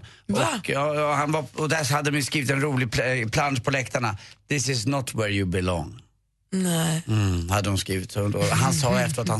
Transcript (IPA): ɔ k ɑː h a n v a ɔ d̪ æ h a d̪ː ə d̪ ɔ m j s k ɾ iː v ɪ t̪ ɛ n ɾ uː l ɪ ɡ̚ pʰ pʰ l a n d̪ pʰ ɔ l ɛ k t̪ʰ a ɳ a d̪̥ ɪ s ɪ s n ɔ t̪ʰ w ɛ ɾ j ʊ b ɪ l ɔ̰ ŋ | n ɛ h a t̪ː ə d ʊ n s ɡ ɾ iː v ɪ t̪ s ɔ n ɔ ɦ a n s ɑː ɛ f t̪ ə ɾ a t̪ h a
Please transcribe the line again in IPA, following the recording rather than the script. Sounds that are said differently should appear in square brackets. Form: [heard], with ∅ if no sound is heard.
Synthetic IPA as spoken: ɔ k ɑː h a n v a ɔ d̪ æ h a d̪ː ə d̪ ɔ m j s k ɾ iː v ɪ t̪ ɛ n ɾ uː l ɪ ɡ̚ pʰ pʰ l a n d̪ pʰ ɔ l ɛ k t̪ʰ a ɳ a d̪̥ ɪ s ɪ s n ɔ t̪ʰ w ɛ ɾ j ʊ b ɪ l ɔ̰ ŋ | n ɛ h a [d̪ː] ə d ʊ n s [k] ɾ iː v ɪ t̪ s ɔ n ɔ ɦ a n s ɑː ɛ f t̪ ə ɾ a t̪ h a